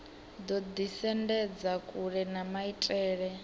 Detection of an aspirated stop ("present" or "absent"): absent